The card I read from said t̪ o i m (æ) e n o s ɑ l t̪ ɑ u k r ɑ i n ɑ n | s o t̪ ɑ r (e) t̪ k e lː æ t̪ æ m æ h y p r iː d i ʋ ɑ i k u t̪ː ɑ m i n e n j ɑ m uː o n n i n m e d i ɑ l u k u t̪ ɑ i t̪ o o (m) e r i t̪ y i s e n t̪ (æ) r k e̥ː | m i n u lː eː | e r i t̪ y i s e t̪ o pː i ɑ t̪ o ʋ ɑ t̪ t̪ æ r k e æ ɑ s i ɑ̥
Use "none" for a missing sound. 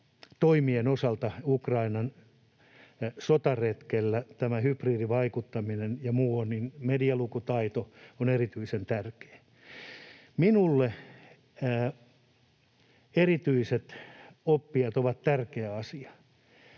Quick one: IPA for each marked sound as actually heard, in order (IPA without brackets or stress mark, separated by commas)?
i, e, n, æ